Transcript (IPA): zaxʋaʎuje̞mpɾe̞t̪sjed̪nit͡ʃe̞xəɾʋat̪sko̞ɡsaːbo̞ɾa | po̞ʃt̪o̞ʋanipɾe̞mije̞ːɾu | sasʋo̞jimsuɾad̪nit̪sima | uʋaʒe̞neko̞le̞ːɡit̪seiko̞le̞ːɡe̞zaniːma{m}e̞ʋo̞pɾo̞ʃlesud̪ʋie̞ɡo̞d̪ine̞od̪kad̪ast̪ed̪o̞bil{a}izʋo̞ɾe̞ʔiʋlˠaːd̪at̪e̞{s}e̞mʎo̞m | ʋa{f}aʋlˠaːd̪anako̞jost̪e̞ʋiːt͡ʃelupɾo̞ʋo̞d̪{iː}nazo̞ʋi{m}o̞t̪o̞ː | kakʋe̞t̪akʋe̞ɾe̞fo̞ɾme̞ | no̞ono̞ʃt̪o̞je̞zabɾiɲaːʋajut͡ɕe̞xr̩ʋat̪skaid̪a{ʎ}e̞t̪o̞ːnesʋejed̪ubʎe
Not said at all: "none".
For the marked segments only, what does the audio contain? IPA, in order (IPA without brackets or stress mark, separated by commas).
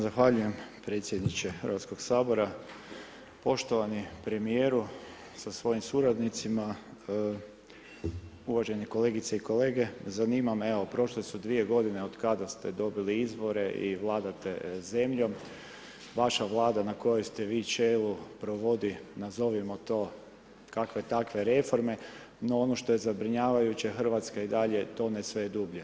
m, i, z, ʃ, i, m, ʎ